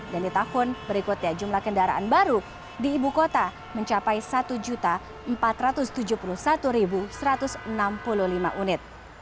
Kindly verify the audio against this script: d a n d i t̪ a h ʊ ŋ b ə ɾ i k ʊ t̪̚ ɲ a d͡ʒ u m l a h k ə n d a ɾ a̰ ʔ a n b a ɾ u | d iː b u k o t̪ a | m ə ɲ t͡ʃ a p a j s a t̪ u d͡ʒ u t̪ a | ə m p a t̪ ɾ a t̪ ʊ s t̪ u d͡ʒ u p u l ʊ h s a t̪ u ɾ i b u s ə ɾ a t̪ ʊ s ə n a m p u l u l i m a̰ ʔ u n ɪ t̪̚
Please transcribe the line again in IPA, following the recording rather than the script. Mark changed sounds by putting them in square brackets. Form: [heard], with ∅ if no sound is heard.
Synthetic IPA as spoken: d a n d i t̪ a h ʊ [n] b ə ɾ i k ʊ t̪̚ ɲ a d͡ʒ u m l a h k ə n d a ɾ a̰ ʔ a n b a ɾ u | d iː b u k o t̪ a | m ə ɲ t͡ʃ a p a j s a t̪ u d͡ʒ u t̪ a | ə m p a t̪ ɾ a t̪ ʊ s t̪ u d͡ʒ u p u l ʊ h s a t̪ u ɾ i b u s ə ɾ a t̪ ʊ s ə n a m p u l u l i m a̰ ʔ u n ɪ t̪̚